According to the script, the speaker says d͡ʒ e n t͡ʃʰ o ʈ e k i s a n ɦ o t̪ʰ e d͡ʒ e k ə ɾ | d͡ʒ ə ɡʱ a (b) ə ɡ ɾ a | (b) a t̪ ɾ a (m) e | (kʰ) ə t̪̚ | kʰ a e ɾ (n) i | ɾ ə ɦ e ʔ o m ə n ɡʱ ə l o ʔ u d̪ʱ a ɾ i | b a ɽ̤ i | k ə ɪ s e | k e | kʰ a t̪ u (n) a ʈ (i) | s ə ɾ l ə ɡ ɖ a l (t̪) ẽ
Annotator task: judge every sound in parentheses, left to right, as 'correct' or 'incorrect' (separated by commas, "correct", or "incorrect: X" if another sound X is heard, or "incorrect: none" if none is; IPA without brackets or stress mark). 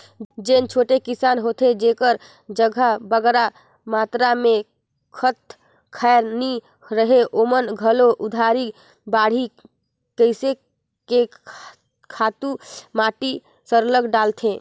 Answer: correct, incorrect: m, correct, correct, correct, incorrect: m, correct, incorrect: t̪ʰ